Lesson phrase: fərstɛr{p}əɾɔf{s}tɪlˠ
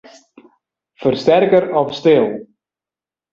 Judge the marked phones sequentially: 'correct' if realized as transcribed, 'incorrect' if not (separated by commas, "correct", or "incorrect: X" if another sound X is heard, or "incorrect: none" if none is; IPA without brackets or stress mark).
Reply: incorrect: k, correct